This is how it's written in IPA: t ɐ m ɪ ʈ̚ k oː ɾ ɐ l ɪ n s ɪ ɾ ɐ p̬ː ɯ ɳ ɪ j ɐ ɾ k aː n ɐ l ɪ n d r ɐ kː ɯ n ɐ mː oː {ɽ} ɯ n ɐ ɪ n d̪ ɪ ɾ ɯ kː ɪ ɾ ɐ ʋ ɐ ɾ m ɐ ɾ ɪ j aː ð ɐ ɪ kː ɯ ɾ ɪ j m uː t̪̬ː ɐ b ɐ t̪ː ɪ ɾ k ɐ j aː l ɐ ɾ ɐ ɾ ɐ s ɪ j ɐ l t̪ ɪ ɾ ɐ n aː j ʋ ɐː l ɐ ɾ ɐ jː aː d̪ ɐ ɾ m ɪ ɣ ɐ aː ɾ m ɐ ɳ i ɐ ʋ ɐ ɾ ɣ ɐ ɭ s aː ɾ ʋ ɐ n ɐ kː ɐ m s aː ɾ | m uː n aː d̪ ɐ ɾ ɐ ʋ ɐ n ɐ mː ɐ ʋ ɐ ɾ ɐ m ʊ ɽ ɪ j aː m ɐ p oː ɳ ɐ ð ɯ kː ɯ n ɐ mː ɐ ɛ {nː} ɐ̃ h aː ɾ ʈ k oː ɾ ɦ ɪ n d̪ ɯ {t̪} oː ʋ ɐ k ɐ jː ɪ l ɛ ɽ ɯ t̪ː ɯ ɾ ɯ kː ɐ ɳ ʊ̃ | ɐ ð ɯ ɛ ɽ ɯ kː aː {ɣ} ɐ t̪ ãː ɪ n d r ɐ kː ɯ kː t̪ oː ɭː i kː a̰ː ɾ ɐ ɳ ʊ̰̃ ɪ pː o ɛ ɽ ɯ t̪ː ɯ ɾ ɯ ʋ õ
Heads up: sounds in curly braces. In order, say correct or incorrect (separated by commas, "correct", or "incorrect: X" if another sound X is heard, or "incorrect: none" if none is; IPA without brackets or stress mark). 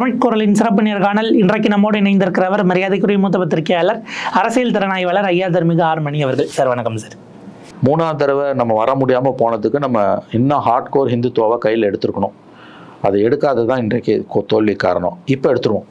correct, correct, correct, incorrect: ð